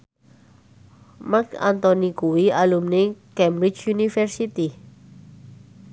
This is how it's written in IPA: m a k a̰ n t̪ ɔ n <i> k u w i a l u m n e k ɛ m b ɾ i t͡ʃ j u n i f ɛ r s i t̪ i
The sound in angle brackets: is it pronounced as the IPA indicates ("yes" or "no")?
yes